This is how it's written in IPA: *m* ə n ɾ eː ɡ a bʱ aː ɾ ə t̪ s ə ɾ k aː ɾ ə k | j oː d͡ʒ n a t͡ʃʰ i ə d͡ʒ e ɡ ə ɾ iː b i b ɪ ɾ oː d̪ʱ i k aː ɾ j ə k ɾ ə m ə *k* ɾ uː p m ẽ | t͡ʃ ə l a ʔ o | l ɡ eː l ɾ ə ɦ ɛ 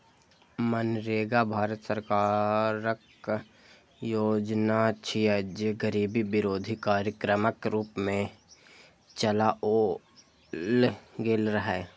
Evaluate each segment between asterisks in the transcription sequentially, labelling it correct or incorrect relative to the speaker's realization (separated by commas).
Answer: correct, correct